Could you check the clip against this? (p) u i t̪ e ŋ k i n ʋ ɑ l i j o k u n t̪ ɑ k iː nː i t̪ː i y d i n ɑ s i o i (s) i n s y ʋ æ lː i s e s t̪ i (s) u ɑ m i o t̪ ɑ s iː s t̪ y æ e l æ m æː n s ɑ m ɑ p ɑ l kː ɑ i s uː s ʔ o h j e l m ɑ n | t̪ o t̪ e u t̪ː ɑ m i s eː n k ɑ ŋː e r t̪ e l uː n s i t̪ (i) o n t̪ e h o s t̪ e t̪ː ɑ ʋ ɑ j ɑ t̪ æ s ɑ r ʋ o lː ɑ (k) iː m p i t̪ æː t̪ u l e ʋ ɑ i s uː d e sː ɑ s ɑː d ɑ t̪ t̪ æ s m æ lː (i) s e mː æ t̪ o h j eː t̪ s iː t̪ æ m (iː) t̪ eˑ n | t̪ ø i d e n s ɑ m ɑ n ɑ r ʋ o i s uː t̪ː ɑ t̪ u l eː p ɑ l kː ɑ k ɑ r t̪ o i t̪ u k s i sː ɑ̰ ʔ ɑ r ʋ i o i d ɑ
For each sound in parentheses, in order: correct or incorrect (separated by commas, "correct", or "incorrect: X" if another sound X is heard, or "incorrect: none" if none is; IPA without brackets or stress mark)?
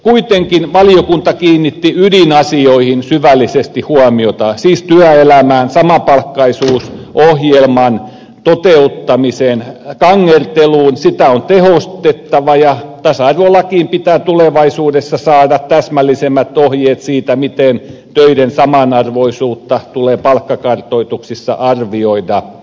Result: incorrect: k, incorrect: h, incorrect: h, incorrect: æ, correct, correct, incorrect: i